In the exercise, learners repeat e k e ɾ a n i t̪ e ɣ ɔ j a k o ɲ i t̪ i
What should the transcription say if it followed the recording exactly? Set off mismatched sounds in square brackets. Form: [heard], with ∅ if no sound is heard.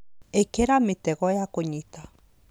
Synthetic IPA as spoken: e k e ɾ a [m] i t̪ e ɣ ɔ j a k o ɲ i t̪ [a]